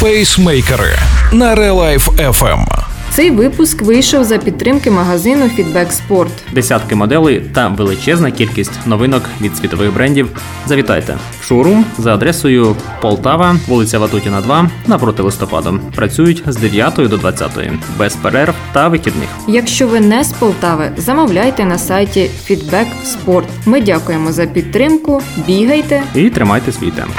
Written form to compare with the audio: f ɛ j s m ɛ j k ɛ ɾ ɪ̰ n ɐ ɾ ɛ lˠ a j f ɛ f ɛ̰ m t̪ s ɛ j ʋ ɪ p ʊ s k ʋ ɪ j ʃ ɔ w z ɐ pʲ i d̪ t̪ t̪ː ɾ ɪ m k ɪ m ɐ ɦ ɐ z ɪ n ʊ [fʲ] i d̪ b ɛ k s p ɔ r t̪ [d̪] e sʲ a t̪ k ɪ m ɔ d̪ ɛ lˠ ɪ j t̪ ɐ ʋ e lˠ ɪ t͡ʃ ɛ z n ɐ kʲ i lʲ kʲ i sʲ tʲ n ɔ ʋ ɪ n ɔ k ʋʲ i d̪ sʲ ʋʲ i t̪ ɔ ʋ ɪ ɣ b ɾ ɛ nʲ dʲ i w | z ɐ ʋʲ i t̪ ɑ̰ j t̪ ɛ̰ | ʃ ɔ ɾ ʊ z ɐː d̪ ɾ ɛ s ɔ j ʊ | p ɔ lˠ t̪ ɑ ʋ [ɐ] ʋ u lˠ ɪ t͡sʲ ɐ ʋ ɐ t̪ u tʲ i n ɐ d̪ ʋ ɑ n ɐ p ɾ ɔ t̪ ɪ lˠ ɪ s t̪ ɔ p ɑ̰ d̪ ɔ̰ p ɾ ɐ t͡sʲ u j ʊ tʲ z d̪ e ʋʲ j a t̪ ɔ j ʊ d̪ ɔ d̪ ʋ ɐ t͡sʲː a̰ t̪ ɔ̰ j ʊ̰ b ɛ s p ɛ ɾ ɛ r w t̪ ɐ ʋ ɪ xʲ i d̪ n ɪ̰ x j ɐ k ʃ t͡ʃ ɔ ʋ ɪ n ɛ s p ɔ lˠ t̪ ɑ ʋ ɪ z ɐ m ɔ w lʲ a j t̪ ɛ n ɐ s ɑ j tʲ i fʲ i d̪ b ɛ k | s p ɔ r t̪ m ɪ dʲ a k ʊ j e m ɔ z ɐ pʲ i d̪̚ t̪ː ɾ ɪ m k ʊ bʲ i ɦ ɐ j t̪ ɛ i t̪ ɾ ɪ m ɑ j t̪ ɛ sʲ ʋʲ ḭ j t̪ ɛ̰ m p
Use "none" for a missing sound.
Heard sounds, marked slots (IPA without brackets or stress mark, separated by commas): fʲ, d̪, ɐ